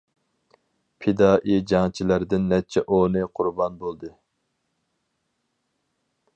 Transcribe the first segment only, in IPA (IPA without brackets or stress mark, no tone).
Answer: pʰ